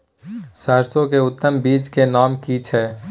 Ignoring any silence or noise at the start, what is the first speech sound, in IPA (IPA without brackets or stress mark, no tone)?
s